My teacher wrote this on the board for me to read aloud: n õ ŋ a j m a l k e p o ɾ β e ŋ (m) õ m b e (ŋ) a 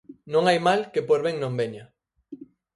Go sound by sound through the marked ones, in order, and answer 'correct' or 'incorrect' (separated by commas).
incorrect, incorrect